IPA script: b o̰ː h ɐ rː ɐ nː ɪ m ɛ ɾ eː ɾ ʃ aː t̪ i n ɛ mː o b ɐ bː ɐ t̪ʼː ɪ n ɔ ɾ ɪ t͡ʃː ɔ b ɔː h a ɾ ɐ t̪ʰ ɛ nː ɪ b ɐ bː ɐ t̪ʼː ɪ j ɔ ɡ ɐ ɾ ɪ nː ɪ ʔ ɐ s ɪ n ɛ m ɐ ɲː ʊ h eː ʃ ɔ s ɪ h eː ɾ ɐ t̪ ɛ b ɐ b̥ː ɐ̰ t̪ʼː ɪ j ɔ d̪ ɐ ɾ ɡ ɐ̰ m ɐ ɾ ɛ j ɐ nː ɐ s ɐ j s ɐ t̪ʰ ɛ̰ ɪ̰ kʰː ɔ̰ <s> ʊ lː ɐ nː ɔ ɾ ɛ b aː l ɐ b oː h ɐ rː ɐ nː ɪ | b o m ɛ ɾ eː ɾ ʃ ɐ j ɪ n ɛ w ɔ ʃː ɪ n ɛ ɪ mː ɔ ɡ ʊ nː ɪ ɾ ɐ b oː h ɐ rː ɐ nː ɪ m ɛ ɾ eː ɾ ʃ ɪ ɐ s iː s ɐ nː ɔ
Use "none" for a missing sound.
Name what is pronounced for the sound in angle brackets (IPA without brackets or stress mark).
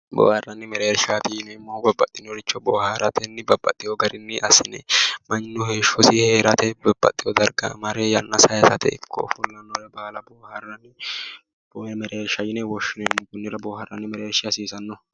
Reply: f